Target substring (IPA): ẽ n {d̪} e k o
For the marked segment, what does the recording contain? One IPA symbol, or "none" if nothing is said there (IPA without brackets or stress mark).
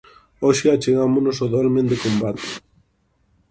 d̪